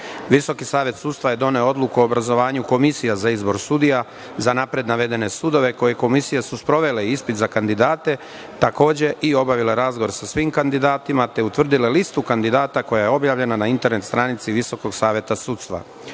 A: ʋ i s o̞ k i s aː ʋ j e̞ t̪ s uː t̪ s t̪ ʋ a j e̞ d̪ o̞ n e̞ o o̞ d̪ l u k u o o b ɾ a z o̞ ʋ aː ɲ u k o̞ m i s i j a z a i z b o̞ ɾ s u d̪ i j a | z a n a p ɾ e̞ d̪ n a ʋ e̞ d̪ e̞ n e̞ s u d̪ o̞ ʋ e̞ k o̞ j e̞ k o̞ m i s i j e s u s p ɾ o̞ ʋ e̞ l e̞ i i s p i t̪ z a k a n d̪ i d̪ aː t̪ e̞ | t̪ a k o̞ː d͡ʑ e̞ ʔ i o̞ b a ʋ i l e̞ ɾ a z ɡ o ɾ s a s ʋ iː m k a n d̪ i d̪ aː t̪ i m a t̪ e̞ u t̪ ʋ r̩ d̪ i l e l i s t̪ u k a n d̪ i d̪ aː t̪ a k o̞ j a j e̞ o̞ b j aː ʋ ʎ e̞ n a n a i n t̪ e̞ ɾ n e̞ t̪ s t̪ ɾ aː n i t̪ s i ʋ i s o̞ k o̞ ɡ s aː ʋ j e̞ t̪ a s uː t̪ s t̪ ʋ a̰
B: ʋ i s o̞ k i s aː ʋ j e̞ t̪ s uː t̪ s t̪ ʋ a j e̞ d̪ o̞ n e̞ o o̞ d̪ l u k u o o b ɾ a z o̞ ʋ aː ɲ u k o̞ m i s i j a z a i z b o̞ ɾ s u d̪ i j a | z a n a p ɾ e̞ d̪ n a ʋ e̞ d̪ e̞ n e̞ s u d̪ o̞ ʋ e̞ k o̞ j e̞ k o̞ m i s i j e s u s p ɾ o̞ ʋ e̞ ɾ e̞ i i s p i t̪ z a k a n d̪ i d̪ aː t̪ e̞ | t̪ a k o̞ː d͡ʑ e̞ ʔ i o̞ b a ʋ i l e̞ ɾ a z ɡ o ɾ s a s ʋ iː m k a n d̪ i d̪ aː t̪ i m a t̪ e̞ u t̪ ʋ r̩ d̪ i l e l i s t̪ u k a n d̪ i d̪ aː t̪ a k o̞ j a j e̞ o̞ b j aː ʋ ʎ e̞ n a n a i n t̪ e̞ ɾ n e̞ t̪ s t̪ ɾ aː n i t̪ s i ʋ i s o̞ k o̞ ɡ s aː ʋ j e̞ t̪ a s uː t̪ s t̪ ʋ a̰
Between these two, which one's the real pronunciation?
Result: A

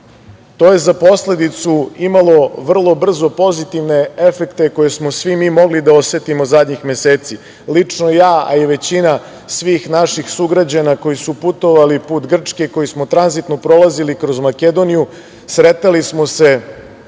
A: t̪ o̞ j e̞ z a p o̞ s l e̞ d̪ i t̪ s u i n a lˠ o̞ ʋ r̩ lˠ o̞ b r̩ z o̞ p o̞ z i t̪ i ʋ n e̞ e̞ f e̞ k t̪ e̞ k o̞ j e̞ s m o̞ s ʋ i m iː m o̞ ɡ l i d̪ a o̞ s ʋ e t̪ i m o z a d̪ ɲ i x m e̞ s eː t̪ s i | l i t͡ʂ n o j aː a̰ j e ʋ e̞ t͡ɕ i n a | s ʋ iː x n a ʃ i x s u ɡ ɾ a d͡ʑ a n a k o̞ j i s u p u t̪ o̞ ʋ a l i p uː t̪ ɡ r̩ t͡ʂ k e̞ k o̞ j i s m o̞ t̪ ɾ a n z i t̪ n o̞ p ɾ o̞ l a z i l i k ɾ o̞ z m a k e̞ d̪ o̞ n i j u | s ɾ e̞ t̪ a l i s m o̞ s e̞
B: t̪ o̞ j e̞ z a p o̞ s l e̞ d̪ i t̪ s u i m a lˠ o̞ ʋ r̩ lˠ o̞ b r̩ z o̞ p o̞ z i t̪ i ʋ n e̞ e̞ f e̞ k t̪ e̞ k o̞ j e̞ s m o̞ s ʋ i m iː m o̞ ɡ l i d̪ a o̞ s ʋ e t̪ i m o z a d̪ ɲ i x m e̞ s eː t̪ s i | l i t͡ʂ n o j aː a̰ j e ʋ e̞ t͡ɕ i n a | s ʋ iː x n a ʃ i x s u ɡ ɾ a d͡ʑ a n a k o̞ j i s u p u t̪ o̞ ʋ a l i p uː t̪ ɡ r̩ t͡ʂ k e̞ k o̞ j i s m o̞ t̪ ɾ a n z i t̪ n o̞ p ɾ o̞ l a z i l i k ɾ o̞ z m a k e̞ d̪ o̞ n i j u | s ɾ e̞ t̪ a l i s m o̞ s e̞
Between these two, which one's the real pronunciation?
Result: B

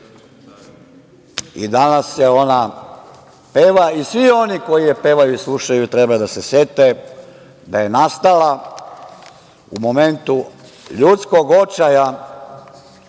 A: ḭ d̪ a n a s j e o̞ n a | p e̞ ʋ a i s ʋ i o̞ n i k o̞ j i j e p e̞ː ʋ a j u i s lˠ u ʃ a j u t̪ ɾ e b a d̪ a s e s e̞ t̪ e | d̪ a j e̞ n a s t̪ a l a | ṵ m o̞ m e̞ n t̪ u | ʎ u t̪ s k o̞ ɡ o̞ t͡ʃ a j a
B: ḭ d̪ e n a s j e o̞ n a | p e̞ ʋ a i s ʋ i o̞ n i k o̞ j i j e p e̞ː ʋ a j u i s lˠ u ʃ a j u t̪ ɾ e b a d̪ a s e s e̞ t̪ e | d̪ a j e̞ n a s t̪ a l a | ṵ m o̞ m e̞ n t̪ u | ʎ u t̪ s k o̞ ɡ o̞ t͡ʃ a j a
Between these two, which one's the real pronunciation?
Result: A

